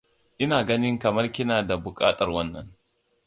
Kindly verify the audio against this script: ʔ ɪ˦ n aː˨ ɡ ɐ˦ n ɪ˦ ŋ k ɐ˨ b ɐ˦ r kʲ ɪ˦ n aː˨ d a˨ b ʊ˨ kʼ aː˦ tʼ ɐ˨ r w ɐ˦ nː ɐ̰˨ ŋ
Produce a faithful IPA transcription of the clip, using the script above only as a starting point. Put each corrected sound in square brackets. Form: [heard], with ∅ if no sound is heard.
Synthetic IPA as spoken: ʔ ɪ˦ n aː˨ ɡ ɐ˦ n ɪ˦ ŋ k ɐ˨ [m] ɐ˦ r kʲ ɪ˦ n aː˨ d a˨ b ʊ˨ kʼ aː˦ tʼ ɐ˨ r w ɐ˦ nː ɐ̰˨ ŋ